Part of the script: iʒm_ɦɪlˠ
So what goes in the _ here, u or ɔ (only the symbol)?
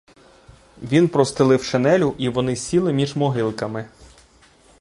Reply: ɔ